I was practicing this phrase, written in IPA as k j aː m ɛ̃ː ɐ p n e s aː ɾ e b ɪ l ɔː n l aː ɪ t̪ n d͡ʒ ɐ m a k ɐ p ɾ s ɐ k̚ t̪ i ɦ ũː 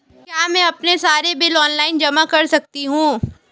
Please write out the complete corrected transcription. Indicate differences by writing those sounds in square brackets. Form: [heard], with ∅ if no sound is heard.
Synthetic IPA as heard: k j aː m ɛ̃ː ɐ p n e s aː ɾ e b ɪ l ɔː n l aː ɪ [∅] n d͡ʒ ɐ m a k ɐ [∅] ɾ s ɐ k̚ t̪ i ɦ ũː